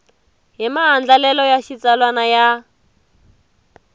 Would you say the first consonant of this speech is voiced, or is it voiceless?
voiced